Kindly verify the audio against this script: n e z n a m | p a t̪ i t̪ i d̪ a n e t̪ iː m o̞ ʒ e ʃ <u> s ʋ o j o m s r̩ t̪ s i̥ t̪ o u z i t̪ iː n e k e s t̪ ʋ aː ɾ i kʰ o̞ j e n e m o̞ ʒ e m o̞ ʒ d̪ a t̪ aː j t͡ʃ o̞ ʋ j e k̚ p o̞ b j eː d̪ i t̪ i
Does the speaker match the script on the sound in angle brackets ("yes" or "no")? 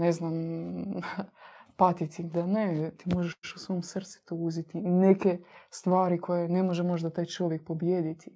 yes